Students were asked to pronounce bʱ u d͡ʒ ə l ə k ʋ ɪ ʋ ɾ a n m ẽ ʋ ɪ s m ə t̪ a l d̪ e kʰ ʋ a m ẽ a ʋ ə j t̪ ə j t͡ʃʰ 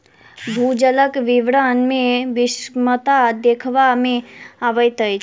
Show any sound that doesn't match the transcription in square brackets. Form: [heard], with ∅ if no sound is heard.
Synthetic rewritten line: bʱ u d͡ʒ ə l ə k ʋ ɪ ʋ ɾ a n m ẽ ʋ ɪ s m ə t̪ a [∅] d̪ e kʰ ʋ a m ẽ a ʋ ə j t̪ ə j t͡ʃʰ